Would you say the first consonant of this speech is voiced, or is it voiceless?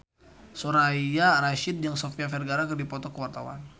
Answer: voiceless